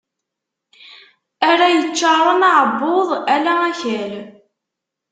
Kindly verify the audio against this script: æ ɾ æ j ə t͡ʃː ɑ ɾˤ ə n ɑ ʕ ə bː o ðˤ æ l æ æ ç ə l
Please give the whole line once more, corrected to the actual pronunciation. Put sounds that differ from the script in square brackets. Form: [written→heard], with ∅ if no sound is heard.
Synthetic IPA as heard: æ ɾ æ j ə t͡ʃː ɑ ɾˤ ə n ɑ ʕ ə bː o ðˤ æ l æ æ ç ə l